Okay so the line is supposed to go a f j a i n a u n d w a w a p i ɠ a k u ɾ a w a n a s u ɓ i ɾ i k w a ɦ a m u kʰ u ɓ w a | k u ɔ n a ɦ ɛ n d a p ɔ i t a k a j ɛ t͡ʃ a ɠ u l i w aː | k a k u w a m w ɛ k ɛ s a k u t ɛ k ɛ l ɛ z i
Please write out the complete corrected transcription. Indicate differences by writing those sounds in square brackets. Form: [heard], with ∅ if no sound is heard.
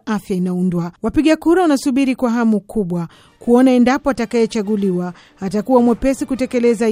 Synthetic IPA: a f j a i n a u n d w a w a p i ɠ a k u ɾ a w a n a s u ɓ i ɾ i k w a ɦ a m u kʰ u ɓ w a | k u ɔ n a [∅] ɛ n d a p ɔ [a] t a k a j ɛ t͡ʃ a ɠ u l i w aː | [t] a k u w a m w ɛ [p] ɛ s [i] k u t ɛ k ɛ l ɛ z [a]